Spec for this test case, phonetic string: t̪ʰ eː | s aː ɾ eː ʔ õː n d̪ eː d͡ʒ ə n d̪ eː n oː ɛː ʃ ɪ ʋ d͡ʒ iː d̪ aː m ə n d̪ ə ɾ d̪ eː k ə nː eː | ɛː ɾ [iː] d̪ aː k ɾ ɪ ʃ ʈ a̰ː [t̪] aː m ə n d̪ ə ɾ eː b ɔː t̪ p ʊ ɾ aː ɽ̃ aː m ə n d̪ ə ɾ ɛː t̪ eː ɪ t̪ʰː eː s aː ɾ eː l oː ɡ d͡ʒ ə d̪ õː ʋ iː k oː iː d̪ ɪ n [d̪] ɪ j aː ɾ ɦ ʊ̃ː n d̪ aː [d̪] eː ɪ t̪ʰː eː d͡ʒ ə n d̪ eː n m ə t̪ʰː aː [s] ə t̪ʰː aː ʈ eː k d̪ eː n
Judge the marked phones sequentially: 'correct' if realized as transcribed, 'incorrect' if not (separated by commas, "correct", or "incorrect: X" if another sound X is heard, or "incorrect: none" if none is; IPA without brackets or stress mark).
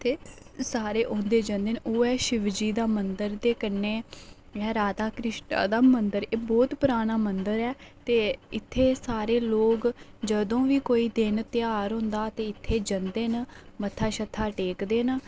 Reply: incorrect: aː, incorrect: d̪, incorrect: t̪, incorrect: t̪, incorrect: ʃ